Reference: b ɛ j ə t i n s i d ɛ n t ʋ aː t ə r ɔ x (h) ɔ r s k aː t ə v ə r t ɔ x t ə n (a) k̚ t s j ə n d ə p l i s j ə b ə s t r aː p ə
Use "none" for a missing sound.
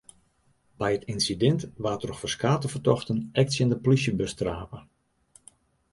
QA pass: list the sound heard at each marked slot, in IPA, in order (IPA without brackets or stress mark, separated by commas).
f, ɛ